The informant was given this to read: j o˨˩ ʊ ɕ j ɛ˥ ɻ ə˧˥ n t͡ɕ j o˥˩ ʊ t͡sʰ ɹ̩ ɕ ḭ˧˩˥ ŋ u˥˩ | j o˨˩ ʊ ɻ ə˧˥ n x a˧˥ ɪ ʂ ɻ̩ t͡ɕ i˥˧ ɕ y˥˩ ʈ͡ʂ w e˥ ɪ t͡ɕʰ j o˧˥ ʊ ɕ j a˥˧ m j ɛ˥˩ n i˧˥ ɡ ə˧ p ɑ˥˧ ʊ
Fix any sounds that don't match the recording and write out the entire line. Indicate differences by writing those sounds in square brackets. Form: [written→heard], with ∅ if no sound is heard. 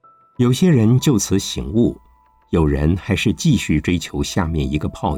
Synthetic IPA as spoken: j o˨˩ ʊ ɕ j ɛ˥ ɻ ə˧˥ n t͡ɕ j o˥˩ ʊ t͡sʰ ɹ̩ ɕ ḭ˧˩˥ ŋ u˥˩ | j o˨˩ ʊ ɻ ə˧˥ n x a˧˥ ɪ ʂ ɻ̩ t͡ɕ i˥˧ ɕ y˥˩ ʈ͡ʂ w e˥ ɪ t͡ɕʰ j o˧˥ ʊ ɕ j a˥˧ m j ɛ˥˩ n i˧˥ ɡ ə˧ [p→pʰ] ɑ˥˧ ʊ